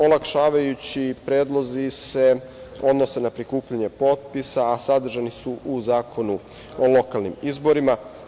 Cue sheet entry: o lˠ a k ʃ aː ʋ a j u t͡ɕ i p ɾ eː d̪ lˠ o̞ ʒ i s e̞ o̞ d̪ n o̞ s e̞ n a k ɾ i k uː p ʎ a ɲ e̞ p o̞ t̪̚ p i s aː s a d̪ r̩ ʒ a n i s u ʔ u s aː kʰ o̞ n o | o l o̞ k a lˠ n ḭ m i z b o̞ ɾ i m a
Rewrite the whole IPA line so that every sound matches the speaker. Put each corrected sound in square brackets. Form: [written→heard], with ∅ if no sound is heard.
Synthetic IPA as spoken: o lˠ a k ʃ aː ʋ a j u t͡ɕ i p ɾ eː d̪ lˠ o̞ [ʒ→z] i s e̞ o̞ d̪ n o̞ s e̞ n a [k→p] ɾ i k uː p ʎ a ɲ e̞ p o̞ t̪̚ p i s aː s a d̪ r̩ ʒ a n i s u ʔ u [s→z] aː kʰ o̞ n [o→u] | o l o̞ k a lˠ n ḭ m i z b o̞ ɾ i m a